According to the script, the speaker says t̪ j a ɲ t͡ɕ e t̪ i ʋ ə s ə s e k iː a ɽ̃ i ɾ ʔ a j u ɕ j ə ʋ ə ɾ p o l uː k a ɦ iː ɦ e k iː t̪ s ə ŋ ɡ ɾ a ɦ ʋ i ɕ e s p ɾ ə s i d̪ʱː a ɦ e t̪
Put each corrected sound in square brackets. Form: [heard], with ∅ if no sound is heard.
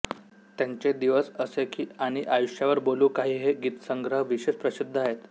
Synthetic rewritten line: t̪ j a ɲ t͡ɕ e [d̪] i ʋ ə s ə s e k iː a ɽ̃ i [∅] ʔ a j u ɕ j [a] ʋ ə ɾ [b] o l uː k a ɦ iː ɦ e [ɡ] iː t̪ s ə ŋ ɡ ɾ [ə] ɦ ʋ i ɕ e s p ɾ ə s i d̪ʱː a ɦ e t̪